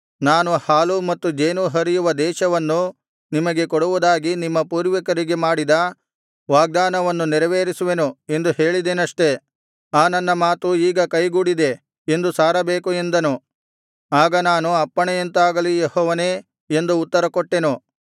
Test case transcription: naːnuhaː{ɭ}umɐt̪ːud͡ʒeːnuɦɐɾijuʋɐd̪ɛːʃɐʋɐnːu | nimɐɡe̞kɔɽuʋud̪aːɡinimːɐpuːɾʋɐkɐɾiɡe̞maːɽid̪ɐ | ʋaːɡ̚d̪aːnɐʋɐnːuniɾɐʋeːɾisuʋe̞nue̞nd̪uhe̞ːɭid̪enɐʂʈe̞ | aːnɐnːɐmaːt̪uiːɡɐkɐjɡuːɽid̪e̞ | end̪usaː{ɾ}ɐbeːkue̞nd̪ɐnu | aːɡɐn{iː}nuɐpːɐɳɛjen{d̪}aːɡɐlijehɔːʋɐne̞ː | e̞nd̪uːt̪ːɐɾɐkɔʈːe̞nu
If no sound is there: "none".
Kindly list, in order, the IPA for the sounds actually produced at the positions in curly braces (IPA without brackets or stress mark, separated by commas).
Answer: l, ɾ, aː, t̪